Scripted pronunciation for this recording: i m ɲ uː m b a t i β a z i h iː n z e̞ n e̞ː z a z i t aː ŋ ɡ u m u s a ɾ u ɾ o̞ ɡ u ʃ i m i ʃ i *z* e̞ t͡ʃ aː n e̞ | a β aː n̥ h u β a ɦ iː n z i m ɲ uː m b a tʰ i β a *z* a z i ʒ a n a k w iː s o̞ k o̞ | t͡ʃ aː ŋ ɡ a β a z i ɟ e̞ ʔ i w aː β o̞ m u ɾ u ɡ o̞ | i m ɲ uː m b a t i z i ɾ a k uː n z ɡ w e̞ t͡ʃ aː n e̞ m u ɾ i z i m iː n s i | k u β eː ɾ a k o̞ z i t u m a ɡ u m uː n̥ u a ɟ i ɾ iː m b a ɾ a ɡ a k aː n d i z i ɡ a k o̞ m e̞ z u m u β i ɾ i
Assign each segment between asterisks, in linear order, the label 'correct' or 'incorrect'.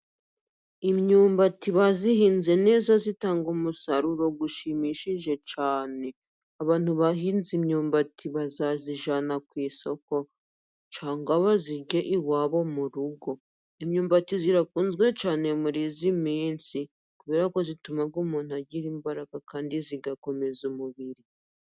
incorrect, correct

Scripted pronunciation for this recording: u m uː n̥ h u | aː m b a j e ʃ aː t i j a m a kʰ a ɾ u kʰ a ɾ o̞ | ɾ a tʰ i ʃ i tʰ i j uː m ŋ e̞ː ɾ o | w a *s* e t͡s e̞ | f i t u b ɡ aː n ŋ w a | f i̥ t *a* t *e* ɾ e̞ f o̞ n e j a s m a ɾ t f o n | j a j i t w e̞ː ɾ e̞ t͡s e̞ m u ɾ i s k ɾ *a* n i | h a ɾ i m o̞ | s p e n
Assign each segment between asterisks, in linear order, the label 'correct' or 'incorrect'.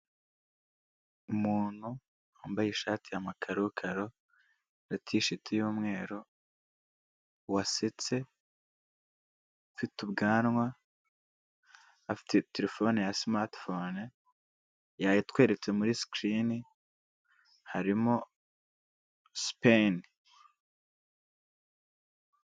correct, incorrect, correct, incorrect

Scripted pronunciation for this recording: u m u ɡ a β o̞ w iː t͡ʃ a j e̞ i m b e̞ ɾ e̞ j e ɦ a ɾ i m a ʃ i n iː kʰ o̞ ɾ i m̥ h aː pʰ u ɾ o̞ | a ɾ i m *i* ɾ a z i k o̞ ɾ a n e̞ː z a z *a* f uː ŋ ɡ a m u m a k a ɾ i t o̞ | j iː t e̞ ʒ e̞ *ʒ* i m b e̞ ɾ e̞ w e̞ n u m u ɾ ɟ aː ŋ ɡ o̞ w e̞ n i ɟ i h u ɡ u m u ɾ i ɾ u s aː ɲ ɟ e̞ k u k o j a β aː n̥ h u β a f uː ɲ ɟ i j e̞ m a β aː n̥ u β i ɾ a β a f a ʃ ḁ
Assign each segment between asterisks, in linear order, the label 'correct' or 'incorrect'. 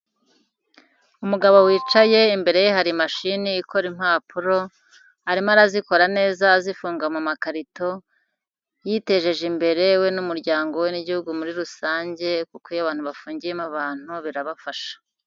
incorrect, incorrect, correct

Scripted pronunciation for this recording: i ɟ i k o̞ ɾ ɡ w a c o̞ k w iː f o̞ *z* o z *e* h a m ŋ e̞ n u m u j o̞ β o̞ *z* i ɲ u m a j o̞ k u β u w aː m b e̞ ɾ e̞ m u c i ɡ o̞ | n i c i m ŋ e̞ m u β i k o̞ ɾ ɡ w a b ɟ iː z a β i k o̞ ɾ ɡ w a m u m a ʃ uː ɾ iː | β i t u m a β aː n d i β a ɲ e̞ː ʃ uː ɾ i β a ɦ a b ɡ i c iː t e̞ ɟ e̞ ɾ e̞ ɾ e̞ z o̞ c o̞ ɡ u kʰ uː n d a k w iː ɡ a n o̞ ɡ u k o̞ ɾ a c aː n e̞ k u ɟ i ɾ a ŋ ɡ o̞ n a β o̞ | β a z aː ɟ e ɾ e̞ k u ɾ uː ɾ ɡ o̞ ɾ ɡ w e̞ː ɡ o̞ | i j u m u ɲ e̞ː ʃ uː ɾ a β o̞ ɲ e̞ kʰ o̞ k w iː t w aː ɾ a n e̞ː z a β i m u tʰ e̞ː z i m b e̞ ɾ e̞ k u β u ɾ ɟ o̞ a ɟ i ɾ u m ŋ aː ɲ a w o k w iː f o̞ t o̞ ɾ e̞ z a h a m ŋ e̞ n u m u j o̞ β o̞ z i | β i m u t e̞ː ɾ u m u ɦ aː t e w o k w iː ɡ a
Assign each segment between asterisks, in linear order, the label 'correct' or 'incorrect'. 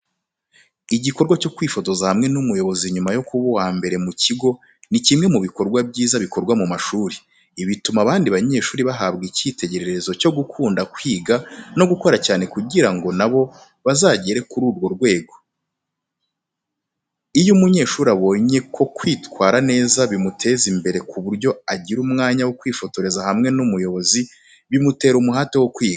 correct, incorrect, correct

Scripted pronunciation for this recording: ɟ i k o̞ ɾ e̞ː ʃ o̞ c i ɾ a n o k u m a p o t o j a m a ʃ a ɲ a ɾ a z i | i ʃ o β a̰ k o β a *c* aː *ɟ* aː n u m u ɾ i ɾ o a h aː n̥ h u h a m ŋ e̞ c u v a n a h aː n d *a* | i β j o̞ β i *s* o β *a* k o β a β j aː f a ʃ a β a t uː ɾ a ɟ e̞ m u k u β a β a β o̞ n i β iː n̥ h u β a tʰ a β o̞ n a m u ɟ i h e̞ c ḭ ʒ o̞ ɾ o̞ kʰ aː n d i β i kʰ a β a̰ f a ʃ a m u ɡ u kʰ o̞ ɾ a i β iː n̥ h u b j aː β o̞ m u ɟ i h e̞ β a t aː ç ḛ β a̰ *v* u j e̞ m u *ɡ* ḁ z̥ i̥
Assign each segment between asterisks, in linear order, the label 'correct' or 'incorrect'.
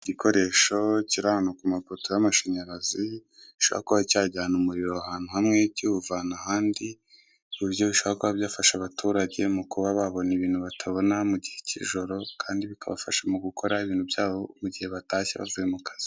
correct, correct, incorrect, incorrect, correct, correct, incorrect

